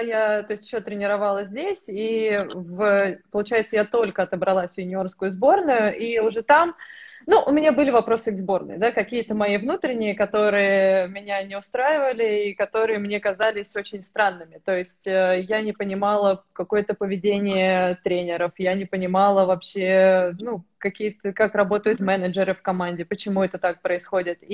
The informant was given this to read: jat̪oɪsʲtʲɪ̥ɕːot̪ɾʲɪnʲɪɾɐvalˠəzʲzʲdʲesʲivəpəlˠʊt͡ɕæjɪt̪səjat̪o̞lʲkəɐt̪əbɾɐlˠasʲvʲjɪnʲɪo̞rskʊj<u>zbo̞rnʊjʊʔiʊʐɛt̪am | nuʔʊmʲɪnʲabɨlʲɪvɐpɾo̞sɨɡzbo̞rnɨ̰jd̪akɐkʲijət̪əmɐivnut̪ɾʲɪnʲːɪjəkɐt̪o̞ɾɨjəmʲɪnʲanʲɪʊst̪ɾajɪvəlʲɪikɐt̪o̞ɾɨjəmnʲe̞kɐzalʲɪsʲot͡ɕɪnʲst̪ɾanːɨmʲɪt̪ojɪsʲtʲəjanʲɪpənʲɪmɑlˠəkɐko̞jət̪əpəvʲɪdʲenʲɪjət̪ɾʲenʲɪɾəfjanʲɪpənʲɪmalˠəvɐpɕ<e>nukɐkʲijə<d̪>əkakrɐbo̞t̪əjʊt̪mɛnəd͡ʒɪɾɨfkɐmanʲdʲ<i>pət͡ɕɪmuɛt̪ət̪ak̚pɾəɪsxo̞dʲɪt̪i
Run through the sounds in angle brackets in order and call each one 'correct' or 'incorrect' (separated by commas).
incorrect, correct, incorrect, incorrect